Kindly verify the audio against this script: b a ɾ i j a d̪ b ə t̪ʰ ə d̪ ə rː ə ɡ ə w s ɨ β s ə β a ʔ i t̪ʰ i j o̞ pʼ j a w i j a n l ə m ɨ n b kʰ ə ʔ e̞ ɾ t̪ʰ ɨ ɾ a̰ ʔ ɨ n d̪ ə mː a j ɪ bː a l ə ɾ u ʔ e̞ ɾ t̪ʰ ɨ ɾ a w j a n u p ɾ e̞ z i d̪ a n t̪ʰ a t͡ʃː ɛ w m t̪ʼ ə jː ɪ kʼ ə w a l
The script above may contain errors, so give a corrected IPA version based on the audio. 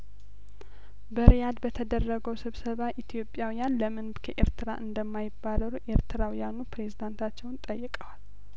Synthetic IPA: b ə ɾ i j a d̪ b ə t̪ʰ ə d̪ ə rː ə ɡ ə w s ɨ β s ə β a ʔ i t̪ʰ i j o̞ pʼ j a w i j a n l ə m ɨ n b kʰ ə ʔ e̞ ɾ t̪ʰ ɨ ɾ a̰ ʔ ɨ n d̪ ə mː a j ɪ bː a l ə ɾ u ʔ e̞ ɾ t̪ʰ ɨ ɾ a w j a n u p ɾ e̞ z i d̪ a n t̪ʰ a t͡ʃː ɛ w n t̪ʼ ə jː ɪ kʼ ə w a l

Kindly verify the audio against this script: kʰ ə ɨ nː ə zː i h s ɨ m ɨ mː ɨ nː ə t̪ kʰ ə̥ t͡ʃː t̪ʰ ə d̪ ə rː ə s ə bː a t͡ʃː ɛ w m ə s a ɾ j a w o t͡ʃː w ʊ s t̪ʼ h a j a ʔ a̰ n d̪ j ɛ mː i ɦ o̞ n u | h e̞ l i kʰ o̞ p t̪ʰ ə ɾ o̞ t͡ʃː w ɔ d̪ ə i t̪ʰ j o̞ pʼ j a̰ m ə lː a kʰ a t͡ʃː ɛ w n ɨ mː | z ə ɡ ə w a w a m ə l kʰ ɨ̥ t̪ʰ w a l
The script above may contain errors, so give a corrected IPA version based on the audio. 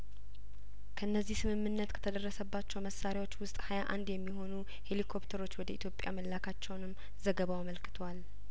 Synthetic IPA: kʰ ə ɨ nː ə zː i h s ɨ m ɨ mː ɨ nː ə t̪ kʰ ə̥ t̪ʰ ə d̪ ə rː ə s ə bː a t͡ʃː ɛ w m ə s a ɾ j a w o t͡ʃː w ʊ s t̪ʼ h a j a ʔ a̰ n d̪ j ɛ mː i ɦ o̞ n u | h e̞ l i kʰ o̞ p t̪ʰ ə ɾ o̞ t͡ʃː w ɔ d̪ ə i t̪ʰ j o̞ pʼ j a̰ m ə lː a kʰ a t͡ʃː ɛ w n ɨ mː | z ə ɡ ə β a w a m ə l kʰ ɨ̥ t̪ʰ w a l

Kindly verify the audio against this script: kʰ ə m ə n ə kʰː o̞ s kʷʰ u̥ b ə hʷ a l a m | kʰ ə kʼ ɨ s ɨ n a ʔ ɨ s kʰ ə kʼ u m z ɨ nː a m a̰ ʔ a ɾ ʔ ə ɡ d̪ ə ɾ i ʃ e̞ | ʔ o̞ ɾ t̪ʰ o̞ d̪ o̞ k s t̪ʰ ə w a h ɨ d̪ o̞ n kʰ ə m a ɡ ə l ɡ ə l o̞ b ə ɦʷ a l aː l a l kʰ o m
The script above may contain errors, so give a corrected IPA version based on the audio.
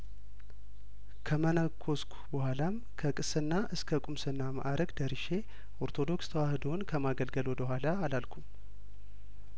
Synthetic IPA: kʰ ə m ə n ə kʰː o̞ s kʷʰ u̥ b ə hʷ a l a m | kʰ ə kʼ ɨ s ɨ nː a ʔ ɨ s kʰ ə kʼ u m s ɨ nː a m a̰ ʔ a ɾ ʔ ə ɡ d̪ ə ɾ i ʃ e̞ | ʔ o̞ ɾ t̪ʰ o̞ d̪ o̞ k s t̪ʰ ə w a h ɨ d̪ o̞ n kʰ ə m a ɡ ə l ɡ ə l o̞ b ə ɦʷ a l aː l a l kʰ u m

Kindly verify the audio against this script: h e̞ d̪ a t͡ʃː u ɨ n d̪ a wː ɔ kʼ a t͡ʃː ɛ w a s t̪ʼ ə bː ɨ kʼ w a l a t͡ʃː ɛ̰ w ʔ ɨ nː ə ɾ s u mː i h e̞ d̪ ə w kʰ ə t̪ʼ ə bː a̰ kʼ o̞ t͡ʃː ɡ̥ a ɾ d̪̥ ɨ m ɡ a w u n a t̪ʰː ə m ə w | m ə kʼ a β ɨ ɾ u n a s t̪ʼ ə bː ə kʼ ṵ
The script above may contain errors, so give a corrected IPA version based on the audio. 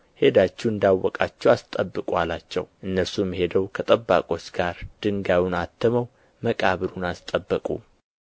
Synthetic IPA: h e̞ d̪ a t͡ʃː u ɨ n d̪ a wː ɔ kʼ a t͡ʃː ɛ w a s t̪ʼ ə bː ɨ kʼ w a l a t͡ʃː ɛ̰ w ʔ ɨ nː ə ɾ s u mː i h e̞ d̪ ə w kʰ ə t̪ʼ ə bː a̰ kʼ o̞ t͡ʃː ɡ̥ a ɾ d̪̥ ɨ ŋ ɡ a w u n a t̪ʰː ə m ə w | m ə kʼ a β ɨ ɾ u n a s t̪ʼ ə bː ə kʼ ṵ

